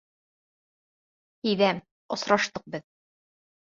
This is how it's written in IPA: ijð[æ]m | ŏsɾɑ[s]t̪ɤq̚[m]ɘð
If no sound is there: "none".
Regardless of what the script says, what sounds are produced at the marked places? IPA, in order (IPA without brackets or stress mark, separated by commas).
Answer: æ, ʃ, b